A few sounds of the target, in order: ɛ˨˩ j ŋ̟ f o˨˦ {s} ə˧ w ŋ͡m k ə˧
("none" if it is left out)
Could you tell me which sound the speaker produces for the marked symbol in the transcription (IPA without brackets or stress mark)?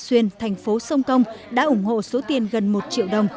s